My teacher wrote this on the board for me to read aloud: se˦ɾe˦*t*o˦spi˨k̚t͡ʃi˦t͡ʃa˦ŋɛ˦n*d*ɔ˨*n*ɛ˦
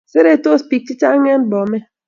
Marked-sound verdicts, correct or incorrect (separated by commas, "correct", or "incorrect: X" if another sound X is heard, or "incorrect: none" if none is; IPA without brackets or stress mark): correct, incorrect: b, incorrect: m